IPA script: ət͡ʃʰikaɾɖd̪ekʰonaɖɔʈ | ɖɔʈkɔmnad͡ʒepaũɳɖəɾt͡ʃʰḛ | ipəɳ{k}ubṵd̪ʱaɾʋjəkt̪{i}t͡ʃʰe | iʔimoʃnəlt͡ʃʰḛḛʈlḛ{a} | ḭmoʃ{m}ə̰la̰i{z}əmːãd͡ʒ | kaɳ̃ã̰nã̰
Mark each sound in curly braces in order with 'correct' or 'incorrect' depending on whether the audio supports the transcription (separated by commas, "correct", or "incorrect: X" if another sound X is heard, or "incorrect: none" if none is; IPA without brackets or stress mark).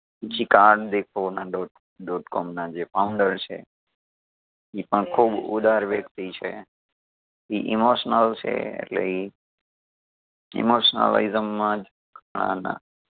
incorrect: kʰ, correct, incorrect: i, incorrect: n, correct